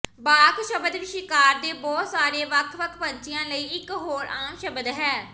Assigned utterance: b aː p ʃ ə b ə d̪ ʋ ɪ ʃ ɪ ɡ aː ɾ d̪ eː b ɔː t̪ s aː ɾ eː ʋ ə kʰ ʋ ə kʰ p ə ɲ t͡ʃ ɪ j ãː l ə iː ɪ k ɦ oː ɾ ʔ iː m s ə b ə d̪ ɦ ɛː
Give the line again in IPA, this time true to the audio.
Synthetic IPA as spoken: b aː k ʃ ə b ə d̪ ʋ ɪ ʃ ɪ k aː ɾ d̪ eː b ɔː t̪ s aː ɾ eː ʋ ə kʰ ʋ ə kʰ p ə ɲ t͡ʃ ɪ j ãː l ə iː ɪ k ɦ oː ɾ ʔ aː m ʃ ə b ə d̪ ɦ ɛː